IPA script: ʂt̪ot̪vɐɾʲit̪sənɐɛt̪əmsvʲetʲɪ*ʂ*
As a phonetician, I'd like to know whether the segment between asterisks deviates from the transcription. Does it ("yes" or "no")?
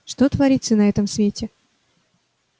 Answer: yes